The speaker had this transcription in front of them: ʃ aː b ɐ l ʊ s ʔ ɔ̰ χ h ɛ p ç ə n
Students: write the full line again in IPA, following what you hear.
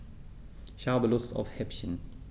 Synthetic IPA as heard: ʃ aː b ə l ʊ s t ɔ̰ f h ɛ p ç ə n